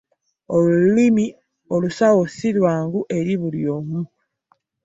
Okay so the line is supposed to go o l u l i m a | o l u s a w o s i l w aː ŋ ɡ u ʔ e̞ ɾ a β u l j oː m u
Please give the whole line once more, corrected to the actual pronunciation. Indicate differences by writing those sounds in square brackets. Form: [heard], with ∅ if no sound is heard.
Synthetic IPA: o l u l i m [i] | o l u s a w o s i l w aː ŋ ɡ u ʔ e̞ ɾ [i] β u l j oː m u